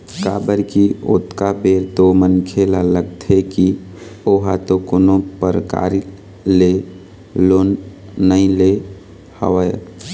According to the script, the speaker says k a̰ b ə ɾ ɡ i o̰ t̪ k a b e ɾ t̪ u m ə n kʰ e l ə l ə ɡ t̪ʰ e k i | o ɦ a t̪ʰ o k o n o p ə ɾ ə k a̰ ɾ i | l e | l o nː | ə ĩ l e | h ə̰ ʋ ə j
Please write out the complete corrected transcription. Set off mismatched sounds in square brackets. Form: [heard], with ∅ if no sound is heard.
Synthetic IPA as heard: k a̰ b ə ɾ [k] i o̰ t̪ k a b e ɾ t̪ [o] m ə n kʰ e l [a] l ə ɡ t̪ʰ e k i | o ɦ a [t̪] o k o n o p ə ɾ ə k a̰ ɾ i | l e | l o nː | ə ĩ l e | h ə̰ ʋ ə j

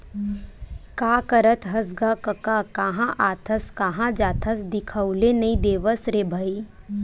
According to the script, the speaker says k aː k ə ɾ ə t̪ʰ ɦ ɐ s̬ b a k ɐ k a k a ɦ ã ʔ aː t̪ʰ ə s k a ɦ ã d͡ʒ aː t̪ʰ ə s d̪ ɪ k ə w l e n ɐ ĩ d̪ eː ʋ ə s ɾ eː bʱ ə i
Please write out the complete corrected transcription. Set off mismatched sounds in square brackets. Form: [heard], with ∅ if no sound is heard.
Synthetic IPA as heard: k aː k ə ɾ ə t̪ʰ ɦ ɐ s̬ [ɡ] a k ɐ k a k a ɦ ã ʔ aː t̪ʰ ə s k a ɦ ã d͡ʒ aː t̪ʰ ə s d̪ ɪ [kʰ] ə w l e n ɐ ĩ d̪ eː ʋ ə s ɾ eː bʱ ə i

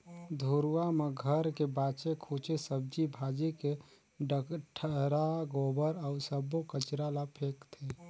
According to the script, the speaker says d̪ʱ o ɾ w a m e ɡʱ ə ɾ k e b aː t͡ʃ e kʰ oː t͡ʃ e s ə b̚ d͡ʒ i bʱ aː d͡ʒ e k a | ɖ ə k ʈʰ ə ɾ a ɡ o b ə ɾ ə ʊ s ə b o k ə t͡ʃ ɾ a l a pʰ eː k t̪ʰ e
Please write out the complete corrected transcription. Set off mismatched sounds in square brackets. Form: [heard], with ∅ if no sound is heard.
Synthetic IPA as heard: d̪ʱ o ɾ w a m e ɡʱ ə ɾ k e b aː t͡ʃ e kʰ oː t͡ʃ e s ə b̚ d͡ʒ i bʱ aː d͡ʒ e k [e] | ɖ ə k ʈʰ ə ɾ a ɡ o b ə ɾ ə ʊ s ə b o k ə t͡ʃ ɾ a l a pʰ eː k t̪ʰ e

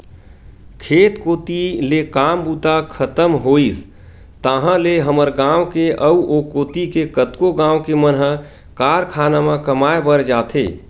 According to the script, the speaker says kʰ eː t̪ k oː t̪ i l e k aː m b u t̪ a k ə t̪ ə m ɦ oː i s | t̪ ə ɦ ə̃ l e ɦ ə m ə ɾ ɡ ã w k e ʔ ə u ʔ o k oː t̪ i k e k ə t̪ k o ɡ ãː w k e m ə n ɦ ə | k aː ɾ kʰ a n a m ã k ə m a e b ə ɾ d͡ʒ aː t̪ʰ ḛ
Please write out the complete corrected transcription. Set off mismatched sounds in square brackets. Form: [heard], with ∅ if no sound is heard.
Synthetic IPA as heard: kʰ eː t̪ k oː t̪ i l e k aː m b u t̪ a [kʰ] ə t̪ ə m ɦ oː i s | t̪ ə ɦ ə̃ l e ɦ ə m ə ɾ ɡ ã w k e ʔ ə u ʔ o k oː t̪ i k e k ə t̪ k o ɡ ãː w k e m ə n ɦ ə | k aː ɾ kʰ a n a m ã k ə m a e b ə ɾ d͡ʒ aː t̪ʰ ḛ

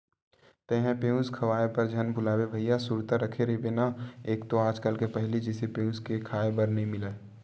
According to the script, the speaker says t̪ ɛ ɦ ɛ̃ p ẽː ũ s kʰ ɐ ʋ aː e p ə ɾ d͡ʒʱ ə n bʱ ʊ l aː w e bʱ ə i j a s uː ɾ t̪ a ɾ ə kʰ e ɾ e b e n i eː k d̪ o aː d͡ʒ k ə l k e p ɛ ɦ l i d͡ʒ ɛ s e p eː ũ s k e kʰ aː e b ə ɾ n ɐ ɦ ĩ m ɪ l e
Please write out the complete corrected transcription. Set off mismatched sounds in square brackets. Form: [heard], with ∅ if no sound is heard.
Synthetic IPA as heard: t̪ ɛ ɦ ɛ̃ p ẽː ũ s kʰ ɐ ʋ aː e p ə ɾ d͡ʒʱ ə n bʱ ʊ l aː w e bʱ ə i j a s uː ɾ t̪ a ɾ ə kʰ e ɾ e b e n [a] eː k [t̪] o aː d͡ʒ k ə l k e p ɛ ɦ l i d͡ʒ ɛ s e p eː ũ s k e kʰ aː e b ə ɾ n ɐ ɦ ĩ m ɪ l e

